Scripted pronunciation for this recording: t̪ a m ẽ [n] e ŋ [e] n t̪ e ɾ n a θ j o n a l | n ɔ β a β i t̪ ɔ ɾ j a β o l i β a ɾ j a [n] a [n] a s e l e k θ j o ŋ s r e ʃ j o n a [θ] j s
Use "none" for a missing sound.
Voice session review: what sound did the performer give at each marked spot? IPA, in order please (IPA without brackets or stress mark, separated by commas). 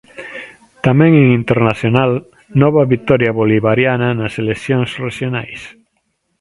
ŋ, i, n, n, none